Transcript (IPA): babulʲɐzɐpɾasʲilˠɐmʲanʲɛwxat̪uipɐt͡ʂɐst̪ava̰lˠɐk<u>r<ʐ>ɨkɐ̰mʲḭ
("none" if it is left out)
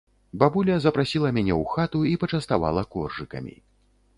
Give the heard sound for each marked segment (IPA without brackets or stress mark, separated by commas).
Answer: ɔ, ʐ